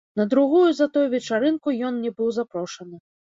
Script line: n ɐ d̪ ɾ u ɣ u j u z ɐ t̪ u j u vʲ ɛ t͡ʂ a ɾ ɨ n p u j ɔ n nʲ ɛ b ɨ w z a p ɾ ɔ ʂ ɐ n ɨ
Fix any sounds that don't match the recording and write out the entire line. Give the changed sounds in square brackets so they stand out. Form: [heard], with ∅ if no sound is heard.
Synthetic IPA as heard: n ɐ d̪ ɾ u ɣ u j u z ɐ t̪ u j u vʲ ɛ t͡ʂ a ɾ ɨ n [k] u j ɔ n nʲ ɛ b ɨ w z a p ɾ ɔ ʂ ɐ n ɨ